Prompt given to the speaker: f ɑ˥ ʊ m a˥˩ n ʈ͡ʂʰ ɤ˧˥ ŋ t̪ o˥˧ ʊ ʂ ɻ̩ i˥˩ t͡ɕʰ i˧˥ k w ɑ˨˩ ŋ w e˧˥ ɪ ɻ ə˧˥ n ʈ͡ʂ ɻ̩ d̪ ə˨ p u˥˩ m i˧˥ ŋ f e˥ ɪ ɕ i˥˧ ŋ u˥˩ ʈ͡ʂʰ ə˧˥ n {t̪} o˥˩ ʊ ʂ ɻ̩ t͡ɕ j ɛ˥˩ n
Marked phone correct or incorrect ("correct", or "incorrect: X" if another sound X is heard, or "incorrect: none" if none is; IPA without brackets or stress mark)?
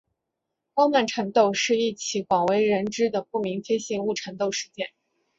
correct